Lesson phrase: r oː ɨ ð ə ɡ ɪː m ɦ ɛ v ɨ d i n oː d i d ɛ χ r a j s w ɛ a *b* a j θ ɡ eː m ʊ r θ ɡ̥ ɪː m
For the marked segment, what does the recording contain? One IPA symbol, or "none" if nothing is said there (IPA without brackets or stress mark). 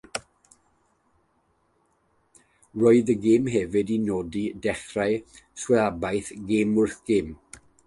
b